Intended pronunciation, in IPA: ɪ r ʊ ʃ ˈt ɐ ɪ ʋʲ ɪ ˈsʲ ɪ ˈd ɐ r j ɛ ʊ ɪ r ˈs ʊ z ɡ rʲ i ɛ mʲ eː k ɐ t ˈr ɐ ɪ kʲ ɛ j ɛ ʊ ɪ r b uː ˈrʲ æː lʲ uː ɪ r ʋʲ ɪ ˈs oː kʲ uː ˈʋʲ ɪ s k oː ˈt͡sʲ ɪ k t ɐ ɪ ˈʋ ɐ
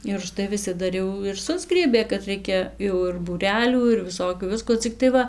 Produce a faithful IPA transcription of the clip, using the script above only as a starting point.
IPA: ɪ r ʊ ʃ ˈt ɐ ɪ ʋʲ ɪ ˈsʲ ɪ ˈd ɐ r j ɛ ʊ ɪ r ˈs ʊ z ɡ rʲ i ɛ bʲ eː k ɐ t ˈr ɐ ɪ kʲ ɛ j ɛ ʊ ɪ r b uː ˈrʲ æː lʲ uː ɪ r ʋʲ ɪ ˈs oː kʲ uː ˈʋʲ ɪ s k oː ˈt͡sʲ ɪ k t ɐ ɪ ˈʋ ɐ